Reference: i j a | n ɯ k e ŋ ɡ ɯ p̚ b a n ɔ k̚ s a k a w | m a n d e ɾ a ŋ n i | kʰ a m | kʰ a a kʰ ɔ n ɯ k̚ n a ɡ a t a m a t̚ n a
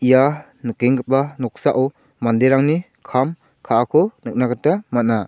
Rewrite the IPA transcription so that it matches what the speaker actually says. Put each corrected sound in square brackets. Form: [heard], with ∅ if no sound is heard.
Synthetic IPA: i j a | n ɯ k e ŋ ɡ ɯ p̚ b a n ɔ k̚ s a [ʔ] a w | m a n d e ɾ a ŋ n i | kʰ a m | kʰ a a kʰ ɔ n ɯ k̚ n a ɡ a t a m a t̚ n a